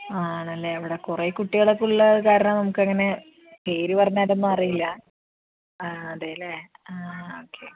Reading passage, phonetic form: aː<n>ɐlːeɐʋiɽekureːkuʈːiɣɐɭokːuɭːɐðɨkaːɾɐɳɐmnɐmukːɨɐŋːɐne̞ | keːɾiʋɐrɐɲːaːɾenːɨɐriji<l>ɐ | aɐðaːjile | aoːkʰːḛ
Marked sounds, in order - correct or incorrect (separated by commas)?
incorrect, incorrect